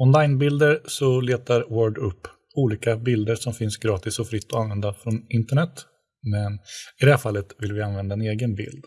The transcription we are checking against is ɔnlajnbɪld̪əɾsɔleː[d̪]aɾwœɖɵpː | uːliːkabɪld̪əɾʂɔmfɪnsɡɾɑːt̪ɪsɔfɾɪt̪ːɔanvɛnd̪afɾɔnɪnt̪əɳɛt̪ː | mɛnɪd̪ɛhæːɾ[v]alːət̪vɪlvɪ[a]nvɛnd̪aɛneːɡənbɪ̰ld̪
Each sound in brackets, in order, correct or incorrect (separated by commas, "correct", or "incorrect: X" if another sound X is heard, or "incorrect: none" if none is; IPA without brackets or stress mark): incorrect: t̪, incorrect: f, correct